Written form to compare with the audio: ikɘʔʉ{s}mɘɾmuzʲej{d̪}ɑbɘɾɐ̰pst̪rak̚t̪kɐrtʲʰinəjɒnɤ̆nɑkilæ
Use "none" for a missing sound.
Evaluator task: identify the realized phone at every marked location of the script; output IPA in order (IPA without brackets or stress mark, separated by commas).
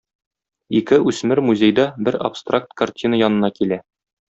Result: s, d̪